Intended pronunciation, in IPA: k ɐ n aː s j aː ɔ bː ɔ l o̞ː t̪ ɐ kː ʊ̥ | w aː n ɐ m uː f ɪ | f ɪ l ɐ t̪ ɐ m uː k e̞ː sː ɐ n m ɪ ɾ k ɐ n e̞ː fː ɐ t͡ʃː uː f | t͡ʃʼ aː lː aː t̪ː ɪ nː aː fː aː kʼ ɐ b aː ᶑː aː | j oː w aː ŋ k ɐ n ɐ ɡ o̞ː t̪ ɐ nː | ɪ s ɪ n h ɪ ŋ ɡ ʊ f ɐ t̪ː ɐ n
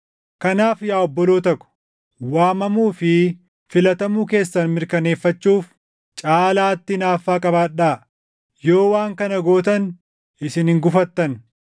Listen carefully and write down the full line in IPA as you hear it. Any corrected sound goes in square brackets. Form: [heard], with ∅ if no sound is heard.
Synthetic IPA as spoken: k ɐ n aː [f] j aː ɔ bː ɔ l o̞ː t̪ ɐ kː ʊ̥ | w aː [m] ɐ m uː f ɪ | f ɪ l ɐ t̪ ɐ m uː k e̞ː sː ɐ n m ɪ ɾ k ɐ n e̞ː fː ɐ t͡ʃː uː f | t͡ʃʼ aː [l] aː t̪ː ɪ [n] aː fː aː kʼ ɐ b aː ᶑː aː | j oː w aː ŋ k ɐ n ɐ ɡ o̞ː t̪ ɐ [n] | ɪ s ɪ n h ɪ ŋ ɡ ʊ f ɐ t̪ː ɐ n

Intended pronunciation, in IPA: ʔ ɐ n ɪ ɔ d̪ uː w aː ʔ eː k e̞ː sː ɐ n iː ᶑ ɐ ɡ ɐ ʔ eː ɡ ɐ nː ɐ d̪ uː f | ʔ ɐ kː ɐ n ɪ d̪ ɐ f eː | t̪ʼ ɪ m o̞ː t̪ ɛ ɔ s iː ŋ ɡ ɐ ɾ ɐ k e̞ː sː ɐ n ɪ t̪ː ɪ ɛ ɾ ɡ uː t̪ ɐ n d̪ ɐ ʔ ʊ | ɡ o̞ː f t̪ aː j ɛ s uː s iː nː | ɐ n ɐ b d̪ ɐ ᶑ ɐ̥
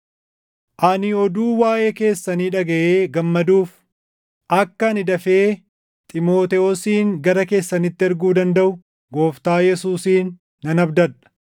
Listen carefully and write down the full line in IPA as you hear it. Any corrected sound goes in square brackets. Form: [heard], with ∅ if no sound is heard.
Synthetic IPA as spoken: ʔ ɐ n ɪ ɔ d̪ uː w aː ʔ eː k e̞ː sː ɐ n iː ᶑ ɐ ɡ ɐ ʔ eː ɡ ɐ [mː] ɐ d̪ uː f | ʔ ɐ kː ɐ n ɪ d̪ ɐ f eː | t̪ʼ ɪ m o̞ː t̪ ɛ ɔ s iː ŋ ɡ ɐ ɾ ɐ k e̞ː sː ɐ n ɪ t̪ː ɪ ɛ ɾ ɡ uː [d̪] ɐ n d̪ ɐ ʔ ʊ | ɡ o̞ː f t̪ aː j ɛ s uː s iː nː | ɐ n ɐ b d̪ ɐ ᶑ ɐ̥

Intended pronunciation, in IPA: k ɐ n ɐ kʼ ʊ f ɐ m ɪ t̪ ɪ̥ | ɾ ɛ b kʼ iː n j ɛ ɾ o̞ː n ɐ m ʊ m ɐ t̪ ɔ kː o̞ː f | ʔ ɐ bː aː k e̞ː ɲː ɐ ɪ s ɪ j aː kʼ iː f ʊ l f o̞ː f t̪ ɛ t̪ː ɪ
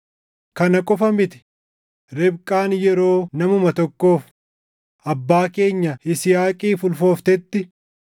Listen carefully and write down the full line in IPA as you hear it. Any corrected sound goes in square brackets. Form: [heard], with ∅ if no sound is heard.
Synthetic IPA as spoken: k ɐ n ɐ kʼ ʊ f ɐ m ɪ t̪ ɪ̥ | ɾ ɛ b kʼ [aː] n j ɛ ɾ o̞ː n ɐ m ʊ m ɐ t̪ ɔ kː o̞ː f | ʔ ɐ bː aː k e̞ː ɲː ɐ ɪ s ɪ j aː kʼ iː f ʊ l f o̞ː f t̪ ɛ t̪ː ɪ

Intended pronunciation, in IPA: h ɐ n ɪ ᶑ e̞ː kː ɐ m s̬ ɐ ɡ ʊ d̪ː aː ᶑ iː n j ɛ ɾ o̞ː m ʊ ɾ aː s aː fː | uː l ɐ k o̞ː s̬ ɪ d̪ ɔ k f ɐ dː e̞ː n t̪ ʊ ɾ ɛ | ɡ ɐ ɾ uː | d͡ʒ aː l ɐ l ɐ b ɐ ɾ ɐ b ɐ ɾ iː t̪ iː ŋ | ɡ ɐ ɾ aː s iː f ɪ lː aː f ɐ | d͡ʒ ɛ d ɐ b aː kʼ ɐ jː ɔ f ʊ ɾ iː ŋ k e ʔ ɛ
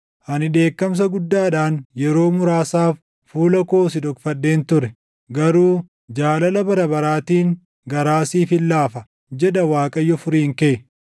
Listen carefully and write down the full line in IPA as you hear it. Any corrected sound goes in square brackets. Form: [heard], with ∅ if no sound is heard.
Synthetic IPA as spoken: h ɐ n ɪ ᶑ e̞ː kː ɐ m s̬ ɐ ɡ ʊ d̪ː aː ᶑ [aː] n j ɛ ɾ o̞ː m ʊ ɾ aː s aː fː | uː l ɐ k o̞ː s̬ ɪ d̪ ɔ k f ɐ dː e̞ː n t̪ ʊ ɾ ɛ | ɡ ɐ ɾ uː | d͡ʒ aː l ɐ l ɐ b ɐ ɾ ɐ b ɐ ɾ [aː] t̪ iː ŋ | ɡ ɐ ɾ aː s iː f ɪ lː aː f ɐ | d͡ʒ ɛ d ɐ [w] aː kʼ ɐ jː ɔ f ʊ ɾ iː ŋ k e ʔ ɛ

